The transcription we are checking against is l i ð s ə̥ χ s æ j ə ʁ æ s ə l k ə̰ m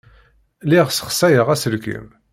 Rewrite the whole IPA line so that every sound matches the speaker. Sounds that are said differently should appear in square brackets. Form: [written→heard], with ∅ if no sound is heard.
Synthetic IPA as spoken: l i [ð→ʁ] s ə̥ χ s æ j ə ʁ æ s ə l k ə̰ m